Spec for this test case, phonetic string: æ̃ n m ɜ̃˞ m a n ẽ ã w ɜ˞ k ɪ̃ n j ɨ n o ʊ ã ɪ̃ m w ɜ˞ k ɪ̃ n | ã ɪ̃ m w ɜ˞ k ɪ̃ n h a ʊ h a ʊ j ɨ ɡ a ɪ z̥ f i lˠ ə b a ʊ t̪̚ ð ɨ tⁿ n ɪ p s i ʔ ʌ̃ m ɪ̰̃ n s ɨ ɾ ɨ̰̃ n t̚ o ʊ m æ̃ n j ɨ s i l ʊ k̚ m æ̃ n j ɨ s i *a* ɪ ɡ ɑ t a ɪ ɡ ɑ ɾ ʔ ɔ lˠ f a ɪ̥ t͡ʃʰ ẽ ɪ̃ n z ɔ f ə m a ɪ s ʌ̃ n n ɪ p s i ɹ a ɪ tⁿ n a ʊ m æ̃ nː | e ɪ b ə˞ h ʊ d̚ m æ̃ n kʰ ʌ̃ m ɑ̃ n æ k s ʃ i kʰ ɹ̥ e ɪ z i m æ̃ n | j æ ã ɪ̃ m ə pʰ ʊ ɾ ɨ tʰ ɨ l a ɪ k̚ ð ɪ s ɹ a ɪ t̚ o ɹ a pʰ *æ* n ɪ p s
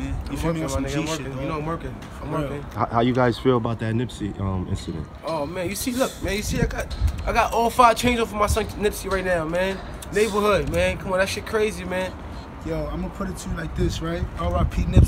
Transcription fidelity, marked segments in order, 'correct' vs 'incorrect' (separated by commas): correct, incorrect